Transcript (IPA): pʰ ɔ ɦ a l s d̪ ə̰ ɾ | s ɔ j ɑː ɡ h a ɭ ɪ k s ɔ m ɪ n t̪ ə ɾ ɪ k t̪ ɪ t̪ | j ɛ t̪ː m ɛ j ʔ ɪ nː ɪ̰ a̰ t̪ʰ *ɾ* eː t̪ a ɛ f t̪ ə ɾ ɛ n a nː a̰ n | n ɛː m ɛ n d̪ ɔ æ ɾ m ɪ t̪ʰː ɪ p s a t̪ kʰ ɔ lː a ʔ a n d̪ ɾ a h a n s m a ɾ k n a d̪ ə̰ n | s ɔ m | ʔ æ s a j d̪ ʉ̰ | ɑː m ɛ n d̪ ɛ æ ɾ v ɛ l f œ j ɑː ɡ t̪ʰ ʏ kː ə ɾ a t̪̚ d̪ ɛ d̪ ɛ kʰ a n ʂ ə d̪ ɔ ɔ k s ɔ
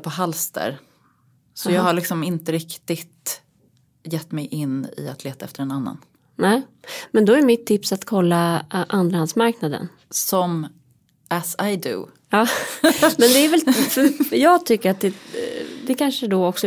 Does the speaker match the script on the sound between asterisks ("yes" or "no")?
no